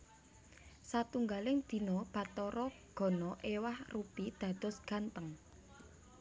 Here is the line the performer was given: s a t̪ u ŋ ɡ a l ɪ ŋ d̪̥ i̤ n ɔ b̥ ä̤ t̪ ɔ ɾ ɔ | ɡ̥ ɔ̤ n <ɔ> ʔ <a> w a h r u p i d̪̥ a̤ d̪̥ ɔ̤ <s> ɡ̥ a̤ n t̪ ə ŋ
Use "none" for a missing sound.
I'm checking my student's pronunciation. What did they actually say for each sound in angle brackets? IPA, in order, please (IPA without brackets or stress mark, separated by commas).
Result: ɔ, e, s